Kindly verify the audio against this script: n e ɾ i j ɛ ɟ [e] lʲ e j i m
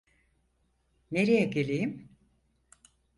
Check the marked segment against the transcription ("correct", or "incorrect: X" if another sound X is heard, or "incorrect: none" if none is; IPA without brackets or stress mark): correct